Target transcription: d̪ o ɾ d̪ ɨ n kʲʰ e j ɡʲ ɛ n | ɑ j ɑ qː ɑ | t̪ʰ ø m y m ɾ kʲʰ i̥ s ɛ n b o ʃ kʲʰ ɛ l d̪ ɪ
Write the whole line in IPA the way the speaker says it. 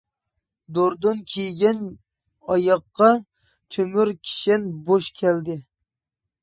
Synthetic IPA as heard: d̪ o ɾ d̪ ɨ n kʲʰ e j ɡʲ ɛ n | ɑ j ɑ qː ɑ | t̪ʰ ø m y ɾ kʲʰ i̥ ʃ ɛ n b o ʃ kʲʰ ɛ l d̪ ɪ

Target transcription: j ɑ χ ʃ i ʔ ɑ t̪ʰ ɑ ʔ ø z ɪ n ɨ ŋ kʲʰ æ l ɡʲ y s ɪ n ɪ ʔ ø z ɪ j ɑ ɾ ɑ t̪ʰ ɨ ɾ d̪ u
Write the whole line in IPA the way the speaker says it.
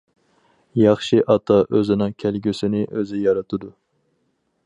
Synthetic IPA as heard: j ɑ χ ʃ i ʔ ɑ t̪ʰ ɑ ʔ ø z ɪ n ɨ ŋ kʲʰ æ l ɡʲ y s ɪ n ɪ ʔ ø z ɪ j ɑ ɾ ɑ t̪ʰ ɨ d̪ u

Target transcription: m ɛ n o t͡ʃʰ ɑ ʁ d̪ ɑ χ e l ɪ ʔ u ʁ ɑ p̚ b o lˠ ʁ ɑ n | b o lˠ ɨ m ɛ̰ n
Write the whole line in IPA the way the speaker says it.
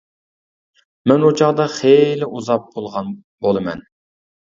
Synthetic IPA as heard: m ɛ n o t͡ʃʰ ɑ ʁ d̪ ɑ χ e l ɪ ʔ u z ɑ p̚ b o lˠ ʁ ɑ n | b o lˠ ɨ m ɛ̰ n

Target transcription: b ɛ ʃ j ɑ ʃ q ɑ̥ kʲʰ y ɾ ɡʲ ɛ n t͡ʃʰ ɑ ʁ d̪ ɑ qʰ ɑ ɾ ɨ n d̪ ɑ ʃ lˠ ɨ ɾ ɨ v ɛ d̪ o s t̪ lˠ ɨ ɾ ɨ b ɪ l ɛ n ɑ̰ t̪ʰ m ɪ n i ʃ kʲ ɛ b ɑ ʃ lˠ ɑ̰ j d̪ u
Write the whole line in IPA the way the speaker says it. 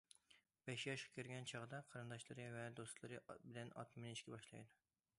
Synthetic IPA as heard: b ɛ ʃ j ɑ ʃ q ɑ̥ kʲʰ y ɾ ɡʲ ɛ n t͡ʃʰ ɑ ʁ d̪ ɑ qʰ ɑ ɾ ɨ n d̪ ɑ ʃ lˠ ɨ ɾ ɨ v ɛ d̪ o s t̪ lˠ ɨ ɾ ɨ b ɪ l ɛ n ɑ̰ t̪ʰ m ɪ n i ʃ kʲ ɛ b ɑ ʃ lˠ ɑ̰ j d̪ u

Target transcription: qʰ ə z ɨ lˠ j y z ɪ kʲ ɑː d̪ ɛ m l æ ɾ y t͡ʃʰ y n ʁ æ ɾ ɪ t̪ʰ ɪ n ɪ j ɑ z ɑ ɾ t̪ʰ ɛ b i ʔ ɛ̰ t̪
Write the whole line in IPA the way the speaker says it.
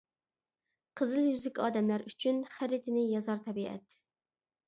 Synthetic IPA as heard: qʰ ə z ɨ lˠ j y z ɪ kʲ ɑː d̪ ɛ m l æ ɾ y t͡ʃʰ y n χ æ ɾ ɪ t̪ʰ ɪ n ɪ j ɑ z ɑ ɾ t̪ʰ ɛ b i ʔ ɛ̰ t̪

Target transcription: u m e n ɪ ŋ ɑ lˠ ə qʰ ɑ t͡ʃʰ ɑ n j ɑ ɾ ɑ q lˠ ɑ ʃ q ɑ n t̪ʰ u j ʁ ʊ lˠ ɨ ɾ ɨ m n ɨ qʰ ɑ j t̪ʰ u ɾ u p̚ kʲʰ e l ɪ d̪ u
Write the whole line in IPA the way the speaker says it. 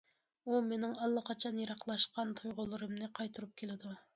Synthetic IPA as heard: u m e n ɪ ŋ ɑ lˠː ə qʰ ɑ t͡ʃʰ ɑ n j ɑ ɾ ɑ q lˠ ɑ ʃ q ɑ n t̪ʰ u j ʁ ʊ lˠ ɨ ɾ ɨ m n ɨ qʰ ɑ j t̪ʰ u ɾ u p̚ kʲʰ e l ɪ d̪ u

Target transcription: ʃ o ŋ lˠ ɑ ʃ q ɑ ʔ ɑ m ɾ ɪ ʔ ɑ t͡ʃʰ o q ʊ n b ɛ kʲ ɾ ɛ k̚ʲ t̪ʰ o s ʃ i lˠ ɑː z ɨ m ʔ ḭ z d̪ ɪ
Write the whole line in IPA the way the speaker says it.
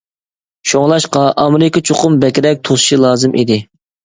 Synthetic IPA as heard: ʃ o ŋ lˠ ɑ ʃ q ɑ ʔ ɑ m ɾ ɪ k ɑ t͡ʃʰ o q ʊ m b ɛ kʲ ɾ ɛ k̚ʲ t̪ʰ o s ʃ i lˠ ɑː z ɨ m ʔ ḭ d̪ ɪ

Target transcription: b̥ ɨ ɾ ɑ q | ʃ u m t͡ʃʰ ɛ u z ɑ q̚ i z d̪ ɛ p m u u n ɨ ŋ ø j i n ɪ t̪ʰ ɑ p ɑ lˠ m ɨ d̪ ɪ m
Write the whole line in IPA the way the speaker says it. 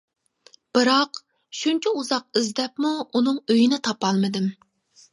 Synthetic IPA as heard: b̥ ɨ ɾ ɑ q | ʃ u n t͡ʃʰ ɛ u z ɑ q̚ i z d̪ ɛ p m u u n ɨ ŋ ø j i n ɪ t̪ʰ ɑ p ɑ lˠ m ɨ d̪ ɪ m

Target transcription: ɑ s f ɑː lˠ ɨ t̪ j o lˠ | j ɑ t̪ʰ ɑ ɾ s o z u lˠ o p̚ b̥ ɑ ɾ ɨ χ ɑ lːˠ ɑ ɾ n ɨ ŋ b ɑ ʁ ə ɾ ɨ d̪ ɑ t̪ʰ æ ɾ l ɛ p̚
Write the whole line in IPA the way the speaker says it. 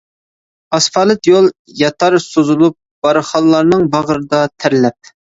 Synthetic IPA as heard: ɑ s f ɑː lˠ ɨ t̪ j o lˠ | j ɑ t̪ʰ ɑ ɾ s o z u lˠ u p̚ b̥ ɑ ɾ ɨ χ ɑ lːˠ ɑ ɾ n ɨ ŋ b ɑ ʁ ə ɾ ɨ d̪ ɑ t̪ʰ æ ɾ l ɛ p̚

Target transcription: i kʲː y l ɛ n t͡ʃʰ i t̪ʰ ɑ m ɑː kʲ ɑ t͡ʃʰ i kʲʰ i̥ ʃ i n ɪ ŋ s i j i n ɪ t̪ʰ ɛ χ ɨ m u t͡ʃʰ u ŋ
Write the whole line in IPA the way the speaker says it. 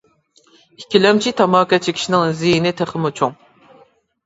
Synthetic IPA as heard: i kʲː i l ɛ m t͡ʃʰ i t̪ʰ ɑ m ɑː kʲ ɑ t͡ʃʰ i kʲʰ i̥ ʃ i n ɪ ŋ z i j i n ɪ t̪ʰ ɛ χ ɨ m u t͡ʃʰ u ŋ

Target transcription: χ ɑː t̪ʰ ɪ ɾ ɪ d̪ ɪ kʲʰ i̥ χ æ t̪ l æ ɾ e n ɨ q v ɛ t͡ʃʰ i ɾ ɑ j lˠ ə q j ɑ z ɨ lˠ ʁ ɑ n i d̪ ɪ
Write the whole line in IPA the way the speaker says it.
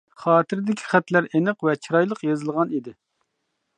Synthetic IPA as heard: χ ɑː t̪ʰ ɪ ɾ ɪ d̪ ɪ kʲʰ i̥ χ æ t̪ l æ ɾ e n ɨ q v ɛ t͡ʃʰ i ɾ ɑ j lˠ ə q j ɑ z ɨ lˠ ʁ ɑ n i d̪ ɪ

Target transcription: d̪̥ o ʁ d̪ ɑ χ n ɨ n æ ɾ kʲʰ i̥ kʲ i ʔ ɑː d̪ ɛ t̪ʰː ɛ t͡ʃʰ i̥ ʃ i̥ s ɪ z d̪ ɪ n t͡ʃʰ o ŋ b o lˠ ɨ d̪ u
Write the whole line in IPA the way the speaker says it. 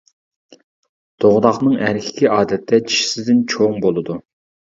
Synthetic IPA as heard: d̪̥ o ʁ d̪ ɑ χ n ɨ ŋ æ ɾ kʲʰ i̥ kʲ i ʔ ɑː d̪ ɛ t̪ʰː ɛ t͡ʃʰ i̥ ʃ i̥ s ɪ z d̪ ɪ n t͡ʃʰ o ŋ b o lˠ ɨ d̪ u

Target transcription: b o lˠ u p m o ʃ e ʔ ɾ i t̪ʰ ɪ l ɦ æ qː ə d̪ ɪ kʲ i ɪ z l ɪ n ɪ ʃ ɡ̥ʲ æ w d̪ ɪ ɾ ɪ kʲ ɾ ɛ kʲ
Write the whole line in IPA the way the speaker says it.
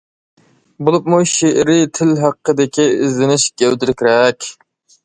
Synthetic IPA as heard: b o lˠ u p m u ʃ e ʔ ɾ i t̪ʰ ɪ l ɦ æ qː ə d̪ ɪ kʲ i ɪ z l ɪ n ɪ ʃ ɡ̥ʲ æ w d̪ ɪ ɾ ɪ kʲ ɾ ɛ kʲ

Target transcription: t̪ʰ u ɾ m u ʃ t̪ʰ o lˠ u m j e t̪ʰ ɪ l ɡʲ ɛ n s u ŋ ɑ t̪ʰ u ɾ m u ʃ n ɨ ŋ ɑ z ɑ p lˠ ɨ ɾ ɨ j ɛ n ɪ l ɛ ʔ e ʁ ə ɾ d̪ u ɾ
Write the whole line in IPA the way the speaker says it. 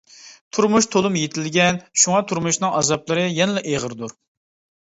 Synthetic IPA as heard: t̪ʰ u ɾ m u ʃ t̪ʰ o lˠ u m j e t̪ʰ ɪ l ɡʲ ɛ n ʃ u ŋ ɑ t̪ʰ u ɾ m u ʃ n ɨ ŋ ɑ z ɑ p lˠ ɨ ɾ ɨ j ɛ n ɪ l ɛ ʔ e ʁ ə ɾ d̪ u ɾ

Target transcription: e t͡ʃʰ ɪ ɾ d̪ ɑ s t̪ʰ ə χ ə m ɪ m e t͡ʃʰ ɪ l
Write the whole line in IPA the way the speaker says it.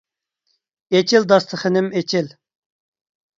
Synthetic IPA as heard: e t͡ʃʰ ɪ l d̪ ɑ s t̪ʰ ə χ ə n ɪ m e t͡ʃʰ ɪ l

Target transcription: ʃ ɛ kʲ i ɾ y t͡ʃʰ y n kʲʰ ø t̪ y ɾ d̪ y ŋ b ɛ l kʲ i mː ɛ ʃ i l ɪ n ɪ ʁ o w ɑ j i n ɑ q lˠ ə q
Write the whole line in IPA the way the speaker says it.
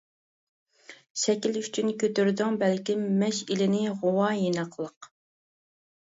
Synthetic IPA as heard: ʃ ɛ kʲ i l y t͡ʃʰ y n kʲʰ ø t̪ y ɾ d̪ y ŋ b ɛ l kʲ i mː ɛ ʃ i l ɪ n ɪ ʁ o w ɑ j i n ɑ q lˠ ə q

